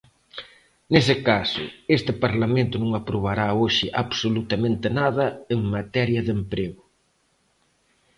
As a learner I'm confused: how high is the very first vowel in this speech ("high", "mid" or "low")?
mid